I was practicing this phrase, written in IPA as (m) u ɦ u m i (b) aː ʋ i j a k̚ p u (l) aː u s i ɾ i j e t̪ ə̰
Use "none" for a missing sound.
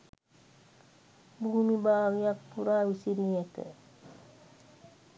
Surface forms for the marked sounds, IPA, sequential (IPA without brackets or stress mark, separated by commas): b, b, ɾ